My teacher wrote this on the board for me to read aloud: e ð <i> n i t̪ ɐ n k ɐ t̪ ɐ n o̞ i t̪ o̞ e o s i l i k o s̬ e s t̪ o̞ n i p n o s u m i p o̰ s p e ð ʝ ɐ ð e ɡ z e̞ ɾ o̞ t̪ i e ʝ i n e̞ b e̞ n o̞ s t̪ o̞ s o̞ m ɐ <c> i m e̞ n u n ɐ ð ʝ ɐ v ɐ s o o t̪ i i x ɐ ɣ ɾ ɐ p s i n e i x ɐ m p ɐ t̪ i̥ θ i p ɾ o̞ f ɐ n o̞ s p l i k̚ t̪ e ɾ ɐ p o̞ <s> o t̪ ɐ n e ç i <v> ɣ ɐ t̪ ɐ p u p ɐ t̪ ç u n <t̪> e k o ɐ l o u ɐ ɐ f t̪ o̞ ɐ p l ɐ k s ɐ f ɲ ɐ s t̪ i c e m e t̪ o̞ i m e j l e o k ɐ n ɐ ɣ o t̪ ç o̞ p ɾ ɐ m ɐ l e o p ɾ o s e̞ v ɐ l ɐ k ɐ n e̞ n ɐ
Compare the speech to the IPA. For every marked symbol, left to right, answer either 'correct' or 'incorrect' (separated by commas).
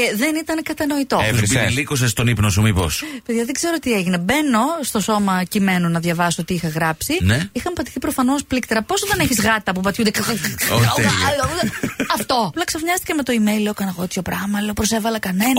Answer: incorrect, correct, correct, incorrect, incorrect